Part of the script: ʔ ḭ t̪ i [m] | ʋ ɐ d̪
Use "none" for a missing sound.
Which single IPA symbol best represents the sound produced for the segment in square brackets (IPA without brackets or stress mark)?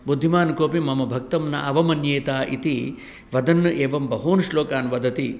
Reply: none